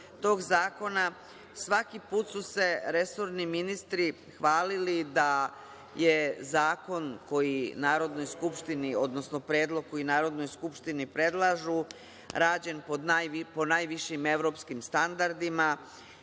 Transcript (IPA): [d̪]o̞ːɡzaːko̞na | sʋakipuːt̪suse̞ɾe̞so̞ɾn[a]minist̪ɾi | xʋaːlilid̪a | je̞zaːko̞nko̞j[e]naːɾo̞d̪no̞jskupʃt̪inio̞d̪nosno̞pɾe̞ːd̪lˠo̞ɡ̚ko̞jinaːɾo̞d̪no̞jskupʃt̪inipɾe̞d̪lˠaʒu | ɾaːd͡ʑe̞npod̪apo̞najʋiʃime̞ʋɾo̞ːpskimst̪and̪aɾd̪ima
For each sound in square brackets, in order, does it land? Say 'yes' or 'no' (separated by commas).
no, no, no